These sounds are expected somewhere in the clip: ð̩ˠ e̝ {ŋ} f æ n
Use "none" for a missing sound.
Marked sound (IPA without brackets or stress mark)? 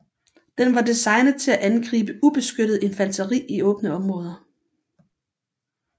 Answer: n